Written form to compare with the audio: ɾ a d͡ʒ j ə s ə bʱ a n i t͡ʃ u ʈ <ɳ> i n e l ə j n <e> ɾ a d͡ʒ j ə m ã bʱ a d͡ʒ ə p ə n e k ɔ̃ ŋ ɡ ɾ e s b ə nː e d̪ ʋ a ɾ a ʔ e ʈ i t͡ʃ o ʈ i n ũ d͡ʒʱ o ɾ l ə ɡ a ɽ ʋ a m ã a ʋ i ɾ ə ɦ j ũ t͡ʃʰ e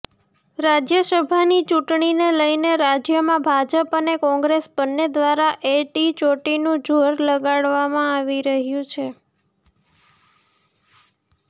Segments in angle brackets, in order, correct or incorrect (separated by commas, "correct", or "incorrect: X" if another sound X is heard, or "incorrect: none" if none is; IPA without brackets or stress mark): correct, correct